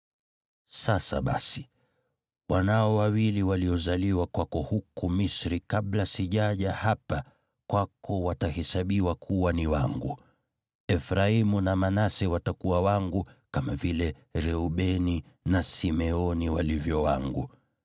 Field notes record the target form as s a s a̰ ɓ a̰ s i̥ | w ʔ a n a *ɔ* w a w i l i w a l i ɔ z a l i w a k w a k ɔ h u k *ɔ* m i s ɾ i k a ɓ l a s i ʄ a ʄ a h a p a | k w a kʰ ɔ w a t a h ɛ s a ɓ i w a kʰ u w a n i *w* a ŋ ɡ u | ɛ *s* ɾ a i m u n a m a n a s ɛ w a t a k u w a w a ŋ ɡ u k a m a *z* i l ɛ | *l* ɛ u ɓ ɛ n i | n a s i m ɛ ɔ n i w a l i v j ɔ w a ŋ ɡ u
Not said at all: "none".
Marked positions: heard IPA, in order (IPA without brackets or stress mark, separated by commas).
ɔ, u, w, f, v, ɾ